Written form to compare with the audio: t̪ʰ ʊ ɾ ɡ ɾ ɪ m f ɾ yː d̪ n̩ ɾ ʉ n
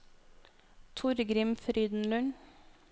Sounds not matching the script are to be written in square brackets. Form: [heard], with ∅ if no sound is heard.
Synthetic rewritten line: t̪ʰ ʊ ɾ ɡ ɾ ɪ m f ɾ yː d̪ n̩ [l] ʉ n